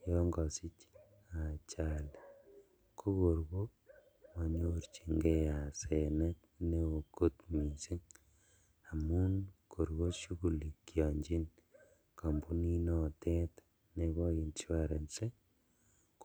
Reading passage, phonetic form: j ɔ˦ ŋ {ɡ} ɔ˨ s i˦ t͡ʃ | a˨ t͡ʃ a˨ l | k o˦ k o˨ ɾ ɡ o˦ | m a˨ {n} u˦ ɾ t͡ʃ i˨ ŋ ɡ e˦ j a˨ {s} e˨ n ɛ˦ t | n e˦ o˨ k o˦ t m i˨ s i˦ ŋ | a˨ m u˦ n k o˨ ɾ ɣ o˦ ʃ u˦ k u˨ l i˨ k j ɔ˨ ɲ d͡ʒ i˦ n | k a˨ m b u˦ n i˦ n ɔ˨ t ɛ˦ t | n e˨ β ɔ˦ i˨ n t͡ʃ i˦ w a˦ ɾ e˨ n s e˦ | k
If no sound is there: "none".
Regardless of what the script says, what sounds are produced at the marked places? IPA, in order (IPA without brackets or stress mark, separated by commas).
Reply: ɡ, ɲ, s